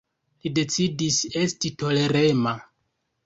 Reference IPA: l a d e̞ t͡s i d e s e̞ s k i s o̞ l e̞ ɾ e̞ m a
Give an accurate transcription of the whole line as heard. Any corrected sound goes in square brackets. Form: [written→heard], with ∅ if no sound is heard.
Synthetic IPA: l [a→i] d e̞ t͡s i d [e→i] s e̞ s [k→t] i [s→t] o̞ l e̞ ɾ e̞ m a